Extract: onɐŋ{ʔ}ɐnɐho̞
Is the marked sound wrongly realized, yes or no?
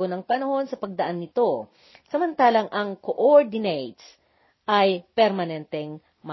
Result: yes